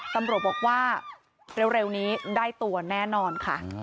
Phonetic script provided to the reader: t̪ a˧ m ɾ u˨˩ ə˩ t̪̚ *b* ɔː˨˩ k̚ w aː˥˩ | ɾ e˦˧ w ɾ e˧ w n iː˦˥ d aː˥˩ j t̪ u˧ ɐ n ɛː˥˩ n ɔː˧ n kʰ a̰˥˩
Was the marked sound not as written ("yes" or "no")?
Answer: no